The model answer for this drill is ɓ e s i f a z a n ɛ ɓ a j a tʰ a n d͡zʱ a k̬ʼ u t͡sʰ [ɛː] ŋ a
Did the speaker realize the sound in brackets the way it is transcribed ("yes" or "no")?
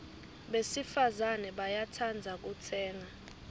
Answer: yes